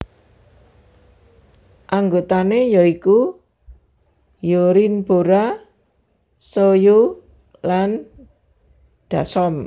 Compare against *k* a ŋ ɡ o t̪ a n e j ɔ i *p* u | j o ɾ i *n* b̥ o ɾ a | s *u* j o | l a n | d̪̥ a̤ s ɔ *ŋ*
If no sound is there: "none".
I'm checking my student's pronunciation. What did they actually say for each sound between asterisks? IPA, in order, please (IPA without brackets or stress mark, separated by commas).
ʔ, k, n, o, m